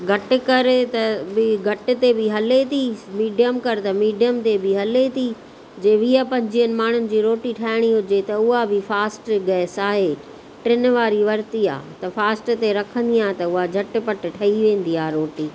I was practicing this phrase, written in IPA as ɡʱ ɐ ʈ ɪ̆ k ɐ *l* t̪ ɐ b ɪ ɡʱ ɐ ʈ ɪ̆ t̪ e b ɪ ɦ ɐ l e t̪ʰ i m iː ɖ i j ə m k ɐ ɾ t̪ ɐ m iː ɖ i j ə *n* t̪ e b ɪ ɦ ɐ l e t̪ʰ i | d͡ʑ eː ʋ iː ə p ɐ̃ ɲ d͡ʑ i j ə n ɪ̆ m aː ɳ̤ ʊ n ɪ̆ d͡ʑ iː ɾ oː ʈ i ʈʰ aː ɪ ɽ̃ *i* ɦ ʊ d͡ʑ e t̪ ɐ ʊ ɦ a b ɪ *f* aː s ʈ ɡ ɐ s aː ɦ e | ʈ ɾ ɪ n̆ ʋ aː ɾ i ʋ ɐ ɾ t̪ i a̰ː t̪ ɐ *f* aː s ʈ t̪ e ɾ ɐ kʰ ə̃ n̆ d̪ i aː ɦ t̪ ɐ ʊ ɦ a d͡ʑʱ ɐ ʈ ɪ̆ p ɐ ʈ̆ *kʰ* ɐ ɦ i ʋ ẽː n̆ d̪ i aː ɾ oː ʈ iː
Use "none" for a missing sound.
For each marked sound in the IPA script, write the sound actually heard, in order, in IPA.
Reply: ɾ, m, i, f, f, ʈʰ

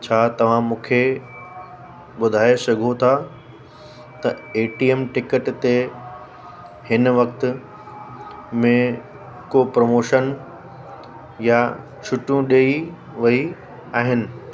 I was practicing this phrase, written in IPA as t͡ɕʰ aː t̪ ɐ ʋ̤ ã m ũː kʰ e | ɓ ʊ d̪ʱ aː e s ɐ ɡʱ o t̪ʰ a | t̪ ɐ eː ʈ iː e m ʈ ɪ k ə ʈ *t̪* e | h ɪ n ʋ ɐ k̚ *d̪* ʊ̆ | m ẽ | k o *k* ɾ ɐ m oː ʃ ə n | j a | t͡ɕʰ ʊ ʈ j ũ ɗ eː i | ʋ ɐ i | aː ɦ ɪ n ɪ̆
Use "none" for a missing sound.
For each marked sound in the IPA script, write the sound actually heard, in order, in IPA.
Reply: t̪, t̪, p

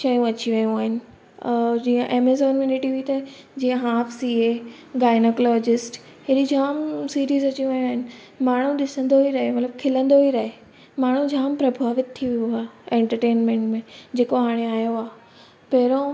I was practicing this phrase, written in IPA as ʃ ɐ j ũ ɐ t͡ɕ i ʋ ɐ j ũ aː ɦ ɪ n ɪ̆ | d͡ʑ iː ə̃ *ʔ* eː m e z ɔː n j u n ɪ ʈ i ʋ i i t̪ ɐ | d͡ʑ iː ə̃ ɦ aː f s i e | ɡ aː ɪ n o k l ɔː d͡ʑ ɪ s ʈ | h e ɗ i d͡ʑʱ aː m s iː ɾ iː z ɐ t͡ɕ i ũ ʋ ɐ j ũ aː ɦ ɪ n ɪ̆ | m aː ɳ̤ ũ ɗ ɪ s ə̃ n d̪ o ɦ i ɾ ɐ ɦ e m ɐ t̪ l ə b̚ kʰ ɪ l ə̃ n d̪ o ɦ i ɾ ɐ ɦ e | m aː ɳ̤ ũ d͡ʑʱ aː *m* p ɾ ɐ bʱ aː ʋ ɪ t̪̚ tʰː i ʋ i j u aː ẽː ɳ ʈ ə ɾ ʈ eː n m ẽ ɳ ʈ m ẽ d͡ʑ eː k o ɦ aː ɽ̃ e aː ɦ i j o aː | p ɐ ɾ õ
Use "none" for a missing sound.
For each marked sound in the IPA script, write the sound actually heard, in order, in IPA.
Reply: ʔ, m

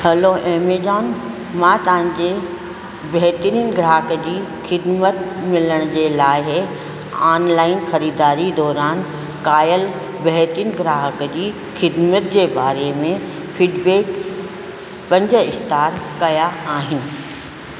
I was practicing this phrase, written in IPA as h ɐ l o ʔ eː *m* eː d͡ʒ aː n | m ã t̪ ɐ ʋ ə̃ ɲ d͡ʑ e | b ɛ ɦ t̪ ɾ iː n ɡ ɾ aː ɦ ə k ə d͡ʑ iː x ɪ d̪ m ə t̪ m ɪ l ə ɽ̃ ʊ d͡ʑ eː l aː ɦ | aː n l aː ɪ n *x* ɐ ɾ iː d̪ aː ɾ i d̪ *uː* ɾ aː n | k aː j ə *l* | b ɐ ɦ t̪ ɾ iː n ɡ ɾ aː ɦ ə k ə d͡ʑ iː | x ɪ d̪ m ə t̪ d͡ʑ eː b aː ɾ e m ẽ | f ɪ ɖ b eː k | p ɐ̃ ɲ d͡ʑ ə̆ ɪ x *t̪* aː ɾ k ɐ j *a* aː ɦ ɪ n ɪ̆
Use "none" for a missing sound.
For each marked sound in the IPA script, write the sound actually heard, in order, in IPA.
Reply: m, x, ɔː, l, t̪, a

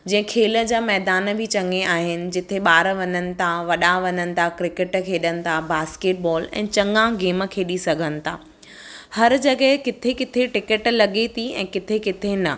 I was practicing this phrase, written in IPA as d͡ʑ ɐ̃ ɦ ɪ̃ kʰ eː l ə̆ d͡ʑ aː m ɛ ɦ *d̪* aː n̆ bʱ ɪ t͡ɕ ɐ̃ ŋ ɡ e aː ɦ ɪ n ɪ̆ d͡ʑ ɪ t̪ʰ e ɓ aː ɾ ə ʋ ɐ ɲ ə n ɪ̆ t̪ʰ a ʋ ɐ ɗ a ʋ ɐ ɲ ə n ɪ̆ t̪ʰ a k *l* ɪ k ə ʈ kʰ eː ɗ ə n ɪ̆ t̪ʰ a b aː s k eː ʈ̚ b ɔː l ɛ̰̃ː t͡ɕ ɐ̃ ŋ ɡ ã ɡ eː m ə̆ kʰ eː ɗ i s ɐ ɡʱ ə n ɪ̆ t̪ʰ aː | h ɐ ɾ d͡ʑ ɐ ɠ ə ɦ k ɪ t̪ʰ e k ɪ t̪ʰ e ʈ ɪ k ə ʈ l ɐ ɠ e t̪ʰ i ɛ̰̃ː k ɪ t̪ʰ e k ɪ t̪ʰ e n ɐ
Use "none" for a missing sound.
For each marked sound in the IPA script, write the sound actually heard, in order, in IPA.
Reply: d̪, ɾ

